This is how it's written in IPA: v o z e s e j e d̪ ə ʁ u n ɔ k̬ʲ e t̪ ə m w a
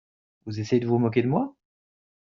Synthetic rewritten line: v u z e s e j e d̪ ə v u m ɔ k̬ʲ e d̪ ə m w a